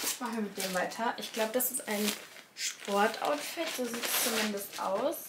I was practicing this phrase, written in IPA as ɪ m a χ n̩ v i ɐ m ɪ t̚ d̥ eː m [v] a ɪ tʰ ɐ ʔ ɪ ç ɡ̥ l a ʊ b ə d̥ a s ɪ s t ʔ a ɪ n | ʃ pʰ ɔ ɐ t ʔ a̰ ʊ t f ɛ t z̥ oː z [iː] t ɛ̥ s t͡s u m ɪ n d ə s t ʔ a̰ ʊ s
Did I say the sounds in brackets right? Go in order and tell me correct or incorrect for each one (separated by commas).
correct, correct